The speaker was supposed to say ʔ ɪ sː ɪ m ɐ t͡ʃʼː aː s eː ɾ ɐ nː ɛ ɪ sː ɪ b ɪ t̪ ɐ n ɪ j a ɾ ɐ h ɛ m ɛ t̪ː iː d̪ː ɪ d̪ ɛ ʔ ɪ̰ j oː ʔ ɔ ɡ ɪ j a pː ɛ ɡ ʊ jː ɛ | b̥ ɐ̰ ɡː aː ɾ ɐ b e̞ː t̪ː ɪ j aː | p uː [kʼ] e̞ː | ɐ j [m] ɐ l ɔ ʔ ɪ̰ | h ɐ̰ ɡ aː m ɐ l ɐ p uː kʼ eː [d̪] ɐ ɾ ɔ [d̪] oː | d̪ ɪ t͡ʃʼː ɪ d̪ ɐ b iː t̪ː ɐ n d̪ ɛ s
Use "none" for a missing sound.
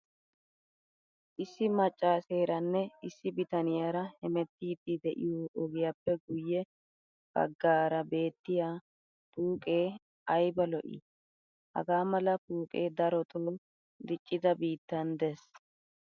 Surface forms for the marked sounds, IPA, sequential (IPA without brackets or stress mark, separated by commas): kʼ, b, d̪, t̪